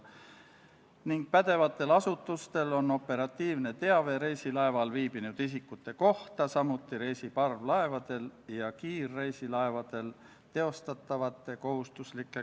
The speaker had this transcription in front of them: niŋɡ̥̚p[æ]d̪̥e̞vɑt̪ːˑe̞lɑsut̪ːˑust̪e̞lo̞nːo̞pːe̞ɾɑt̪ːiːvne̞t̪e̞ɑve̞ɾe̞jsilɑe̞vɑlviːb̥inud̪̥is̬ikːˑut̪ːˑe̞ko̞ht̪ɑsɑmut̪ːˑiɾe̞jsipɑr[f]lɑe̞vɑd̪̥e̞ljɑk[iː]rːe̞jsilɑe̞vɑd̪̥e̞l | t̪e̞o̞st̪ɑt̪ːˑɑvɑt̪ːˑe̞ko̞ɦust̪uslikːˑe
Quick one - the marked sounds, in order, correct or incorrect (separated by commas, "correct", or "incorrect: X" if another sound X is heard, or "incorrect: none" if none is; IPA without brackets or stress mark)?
correct, incorrect: v, correct